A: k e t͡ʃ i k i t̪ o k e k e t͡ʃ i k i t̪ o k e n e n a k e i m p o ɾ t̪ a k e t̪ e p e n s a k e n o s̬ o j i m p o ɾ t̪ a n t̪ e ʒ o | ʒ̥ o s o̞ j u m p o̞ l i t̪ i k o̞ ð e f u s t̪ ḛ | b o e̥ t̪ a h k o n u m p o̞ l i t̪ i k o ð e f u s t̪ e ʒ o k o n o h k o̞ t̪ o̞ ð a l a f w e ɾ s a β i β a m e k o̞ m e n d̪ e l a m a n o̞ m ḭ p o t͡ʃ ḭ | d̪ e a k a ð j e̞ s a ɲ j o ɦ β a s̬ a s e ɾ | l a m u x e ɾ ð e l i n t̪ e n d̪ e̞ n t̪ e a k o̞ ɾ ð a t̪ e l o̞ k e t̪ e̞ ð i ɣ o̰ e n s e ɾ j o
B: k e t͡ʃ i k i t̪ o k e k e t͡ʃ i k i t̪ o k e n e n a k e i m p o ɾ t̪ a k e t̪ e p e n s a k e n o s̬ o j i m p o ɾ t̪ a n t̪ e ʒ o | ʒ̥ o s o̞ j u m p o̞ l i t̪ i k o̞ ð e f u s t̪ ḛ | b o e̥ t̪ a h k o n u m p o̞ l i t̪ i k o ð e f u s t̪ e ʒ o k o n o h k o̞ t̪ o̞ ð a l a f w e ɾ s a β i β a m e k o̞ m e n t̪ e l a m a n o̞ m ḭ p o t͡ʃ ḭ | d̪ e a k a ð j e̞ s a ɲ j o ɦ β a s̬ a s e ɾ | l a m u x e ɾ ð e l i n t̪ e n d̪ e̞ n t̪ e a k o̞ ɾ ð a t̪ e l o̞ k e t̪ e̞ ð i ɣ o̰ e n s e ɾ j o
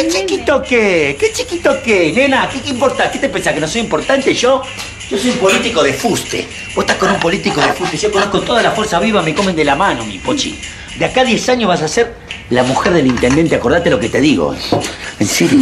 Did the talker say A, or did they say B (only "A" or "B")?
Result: A